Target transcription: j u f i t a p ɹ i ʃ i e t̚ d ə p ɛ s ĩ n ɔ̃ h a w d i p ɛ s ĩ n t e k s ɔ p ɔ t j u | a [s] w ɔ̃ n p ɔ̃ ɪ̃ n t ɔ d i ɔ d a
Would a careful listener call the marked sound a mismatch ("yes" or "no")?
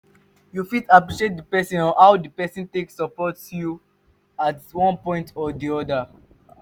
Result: yes